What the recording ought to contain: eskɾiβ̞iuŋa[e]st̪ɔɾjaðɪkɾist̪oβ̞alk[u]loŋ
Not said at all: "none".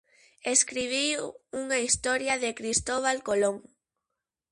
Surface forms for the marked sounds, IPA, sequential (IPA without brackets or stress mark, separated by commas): i, o